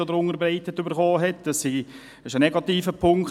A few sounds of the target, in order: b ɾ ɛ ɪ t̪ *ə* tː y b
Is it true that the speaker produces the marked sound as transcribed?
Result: yes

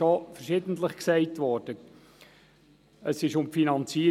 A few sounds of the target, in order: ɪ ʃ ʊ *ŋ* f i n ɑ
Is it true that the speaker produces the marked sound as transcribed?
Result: no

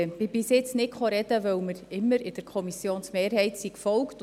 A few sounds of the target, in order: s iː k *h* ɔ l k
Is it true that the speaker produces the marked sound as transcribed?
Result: no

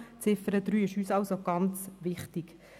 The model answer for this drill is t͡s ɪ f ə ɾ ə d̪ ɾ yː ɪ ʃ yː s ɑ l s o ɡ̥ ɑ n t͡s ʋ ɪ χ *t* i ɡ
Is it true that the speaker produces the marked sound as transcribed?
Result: yes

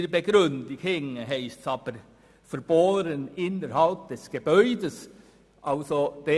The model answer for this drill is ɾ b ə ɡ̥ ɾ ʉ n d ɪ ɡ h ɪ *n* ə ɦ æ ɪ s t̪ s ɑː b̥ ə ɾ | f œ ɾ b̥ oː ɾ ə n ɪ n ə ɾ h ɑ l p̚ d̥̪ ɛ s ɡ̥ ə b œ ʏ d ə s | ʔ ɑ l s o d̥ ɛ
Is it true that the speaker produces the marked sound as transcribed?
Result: no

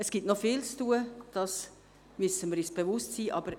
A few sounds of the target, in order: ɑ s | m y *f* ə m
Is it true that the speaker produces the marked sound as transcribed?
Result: no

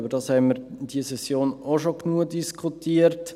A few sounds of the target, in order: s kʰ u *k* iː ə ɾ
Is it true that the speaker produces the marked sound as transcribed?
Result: no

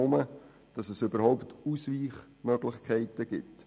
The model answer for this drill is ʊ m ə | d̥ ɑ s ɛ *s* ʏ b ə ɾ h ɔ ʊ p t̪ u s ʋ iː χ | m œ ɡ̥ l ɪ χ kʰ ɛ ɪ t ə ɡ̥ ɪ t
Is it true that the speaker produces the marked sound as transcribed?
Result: yes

